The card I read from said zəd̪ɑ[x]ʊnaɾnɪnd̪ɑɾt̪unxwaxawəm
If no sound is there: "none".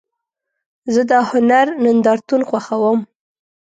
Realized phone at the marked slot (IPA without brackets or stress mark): h